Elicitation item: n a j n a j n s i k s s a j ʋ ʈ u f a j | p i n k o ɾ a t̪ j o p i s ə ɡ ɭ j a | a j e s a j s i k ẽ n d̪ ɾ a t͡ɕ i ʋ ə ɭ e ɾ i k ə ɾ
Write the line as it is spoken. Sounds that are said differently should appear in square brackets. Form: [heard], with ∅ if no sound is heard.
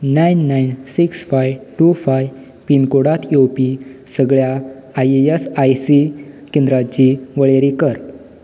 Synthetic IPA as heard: n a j [nː] a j n s i k s [f] a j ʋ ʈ u f a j | p i n k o [ɽ] a t̪ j o p i s ə ɡ ɭ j a | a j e s a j s i k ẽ n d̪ ɾ a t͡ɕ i ʋ ə ɭ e ɾ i k ə ɾ